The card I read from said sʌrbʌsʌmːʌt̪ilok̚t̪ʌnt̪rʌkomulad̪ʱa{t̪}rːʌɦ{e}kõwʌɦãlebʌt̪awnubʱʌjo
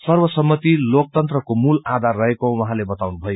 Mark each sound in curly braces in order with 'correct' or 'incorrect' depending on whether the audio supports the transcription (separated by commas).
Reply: incorrect, correct